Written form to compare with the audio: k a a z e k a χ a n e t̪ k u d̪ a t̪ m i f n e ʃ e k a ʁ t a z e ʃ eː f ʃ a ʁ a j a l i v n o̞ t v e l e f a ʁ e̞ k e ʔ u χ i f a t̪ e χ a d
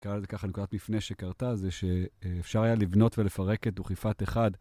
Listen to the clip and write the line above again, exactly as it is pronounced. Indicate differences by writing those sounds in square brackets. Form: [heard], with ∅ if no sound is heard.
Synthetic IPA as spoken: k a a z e k a χ a n e [∅] k u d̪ a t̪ m i f n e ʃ e k a ʁ t a z e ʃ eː f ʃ a ʁ a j a l i v n o̞ t v e l e f a ʁ e̞ k e [t] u χ i f a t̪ e χ a d